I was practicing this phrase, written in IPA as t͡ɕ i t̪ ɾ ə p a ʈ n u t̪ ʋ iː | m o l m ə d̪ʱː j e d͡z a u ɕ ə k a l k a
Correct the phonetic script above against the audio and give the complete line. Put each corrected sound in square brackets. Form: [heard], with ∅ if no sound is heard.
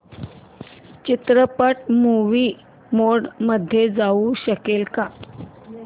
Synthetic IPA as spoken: t͡ɕ i t̪ ɾ ə p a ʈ [m] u [∅] ʋ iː | m o [ɽ] m ə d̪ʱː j e d͡z a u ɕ ə k [e] l k a

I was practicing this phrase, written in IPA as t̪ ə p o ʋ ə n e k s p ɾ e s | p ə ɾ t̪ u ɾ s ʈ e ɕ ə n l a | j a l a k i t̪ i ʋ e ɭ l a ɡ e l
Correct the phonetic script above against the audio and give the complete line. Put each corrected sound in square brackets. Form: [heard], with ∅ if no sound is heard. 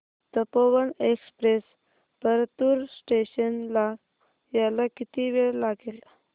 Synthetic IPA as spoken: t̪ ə p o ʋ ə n e k s p ɾ e s | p ə ɾ t̪ u ɾ s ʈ e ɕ ə n l a | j a l a k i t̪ i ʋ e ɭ l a ɡ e l

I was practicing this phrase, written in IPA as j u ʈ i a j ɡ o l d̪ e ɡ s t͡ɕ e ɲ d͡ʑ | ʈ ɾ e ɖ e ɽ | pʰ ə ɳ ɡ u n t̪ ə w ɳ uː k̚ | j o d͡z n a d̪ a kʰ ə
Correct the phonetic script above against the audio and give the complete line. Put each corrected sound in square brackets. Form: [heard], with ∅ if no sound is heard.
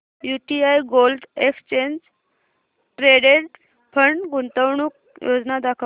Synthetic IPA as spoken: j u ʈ i a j ɡ o l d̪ e [k] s t͡ɕ e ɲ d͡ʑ | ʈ ɾ e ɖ e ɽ | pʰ ə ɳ ɡ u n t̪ ə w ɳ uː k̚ | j o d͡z n a d̪ a kʰ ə

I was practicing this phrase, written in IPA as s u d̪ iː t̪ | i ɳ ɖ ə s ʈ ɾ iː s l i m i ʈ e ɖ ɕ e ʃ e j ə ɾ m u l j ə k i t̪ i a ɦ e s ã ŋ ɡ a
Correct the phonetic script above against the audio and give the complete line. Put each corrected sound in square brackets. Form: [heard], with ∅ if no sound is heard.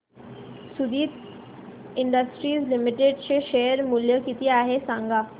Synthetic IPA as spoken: s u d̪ iː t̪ | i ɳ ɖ ə s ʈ ɾ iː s l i m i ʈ e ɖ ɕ e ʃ e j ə ɾ m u l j ə k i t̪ i a ɦ e s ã ŋ ɡ a

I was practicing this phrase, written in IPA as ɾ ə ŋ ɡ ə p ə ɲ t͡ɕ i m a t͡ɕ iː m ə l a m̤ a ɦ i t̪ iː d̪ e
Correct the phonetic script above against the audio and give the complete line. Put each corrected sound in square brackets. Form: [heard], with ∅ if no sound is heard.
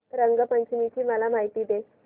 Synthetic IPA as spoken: ɾ ə ŋ ɡ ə p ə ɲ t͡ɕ i m [i] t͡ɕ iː m ə l a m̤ a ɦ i t̪ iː d̪ e

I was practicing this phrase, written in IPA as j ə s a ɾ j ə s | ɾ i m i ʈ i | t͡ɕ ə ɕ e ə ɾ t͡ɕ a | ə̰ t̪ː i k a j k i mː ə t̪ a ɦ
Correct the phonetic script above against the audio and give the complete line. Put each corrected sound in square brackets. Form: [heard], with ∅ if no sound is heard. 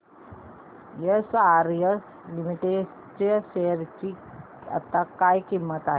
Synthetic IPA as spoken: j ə s a ɾ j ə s | [l] i m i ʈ [e] | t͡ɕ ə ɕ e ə ɾ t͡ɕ [i] | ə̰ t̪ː [a] k a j k i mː ə t̪ a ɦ

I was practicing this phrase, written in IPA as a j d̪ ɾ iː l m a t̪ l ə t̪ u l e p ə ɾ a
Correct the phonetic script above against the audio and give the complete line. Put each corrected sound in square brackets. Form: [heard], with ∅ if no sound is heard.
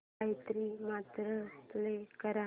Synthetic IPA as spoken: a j [t̪] ɾ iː [∅] m a t̪ [ɾ] ə t̪ u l e [k] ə ɾ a

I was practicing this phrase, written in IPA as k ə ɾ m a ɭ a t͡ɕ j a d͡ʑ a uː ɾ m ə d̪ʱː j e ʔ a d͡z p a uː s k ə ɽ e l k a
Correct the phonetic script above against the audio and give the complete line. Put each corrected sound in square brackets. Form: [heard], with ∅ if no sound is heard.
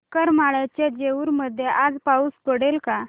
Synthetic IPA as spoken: k ə ɾ m a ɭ a t͡ɕ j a d͡ʑ [e] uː ɾ m ə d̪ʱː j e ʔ a d͡z p a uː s [p] ə ɽ e l k a

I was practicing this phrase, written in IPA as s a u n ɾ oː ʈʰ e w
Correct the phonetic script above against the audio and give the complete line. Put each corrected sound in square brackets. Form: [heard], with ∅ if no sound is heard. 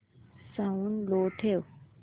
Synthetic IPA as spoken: s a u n [l] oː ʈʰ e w

